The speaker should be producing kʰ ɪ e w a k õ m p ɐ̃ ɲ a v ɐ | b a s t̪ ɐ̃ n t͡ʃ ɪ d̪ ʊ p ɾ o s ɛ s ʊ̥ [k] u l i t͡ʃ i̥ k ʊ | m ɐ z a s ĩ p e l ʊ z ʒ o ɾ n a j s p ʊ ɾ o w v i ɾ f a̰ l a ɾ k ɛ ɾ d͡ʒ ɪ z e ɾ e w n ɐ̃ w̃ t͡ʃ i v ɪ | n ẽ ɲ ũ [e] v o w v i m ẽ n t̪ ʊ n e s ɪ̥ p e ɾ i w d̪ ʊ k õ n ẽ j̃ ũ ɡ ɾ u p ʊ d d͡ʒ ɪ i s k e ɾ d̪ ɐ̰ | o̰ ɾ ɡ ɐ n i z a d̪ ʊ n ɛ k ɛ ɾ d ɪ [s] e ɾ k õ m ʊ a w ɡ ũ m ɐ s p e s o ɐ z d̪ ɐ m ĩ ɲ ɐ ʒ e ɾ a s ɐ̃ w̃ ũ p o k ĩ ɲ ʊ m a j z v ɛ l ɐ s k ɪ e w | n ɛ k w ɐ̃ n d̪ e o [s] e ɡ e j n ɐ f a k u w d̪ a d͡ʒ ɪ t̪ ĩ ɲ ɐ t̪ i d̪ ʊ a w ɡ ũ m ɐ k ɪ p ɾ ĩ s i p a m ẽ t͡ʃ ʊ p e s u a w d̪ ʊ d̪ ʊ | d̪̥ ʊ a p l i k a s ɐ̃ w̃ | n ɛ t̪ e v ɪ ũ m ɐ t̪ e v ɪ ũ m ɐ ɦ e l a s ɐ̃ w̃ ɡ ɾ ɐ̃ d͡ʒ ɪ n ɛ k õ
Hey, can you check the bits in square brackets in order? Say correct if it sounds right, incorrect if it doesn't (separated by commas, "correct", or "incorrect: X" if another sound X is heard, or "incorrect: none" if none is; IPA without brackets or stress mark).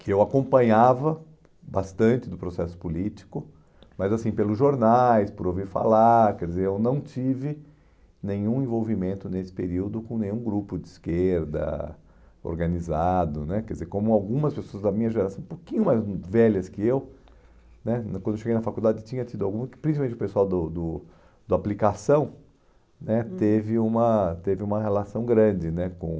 incorrect: p, incorrect: ẽ, incorrect: z, incorrect: ʃ